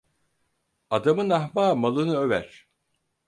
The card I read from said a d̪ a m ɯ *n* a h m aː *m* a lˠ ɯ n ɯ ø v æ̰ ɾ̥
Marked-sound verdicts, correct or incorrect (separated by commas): correct, correct